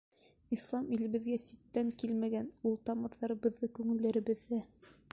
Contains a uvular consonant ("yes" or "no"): no